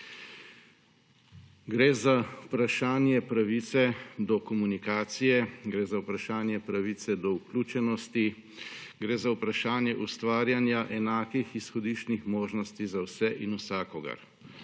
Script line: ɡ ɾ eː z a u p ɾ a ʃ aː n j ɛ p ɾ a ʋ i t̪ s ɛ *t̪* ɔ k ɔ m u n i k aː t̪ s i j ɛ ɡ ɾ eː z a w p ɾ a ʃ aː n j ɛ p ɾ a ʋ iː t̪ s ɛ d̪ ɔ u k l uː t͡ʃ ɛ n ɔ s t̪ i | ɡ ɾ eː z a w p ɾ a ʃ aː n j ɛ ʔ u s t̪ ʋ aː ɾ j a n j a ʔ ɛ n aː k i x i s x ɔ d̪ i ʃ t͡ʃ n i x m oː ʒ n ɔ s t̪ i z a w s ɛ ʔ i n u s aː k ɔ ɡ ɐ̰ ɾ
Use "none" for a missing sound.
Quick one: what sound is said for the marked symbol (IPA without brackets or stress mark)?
d̪